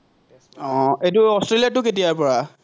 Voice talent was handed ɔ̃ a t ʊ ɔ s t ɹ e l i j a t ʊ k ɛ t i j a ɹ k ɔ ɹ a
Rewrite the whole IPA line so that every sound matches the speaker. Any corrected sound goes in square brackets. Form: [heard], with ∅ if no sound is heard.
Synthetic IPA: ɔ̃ [e] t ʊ ɔ s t ɹ e l i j a t ʊ k [e] t i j a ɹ [p] ɔ ɹ a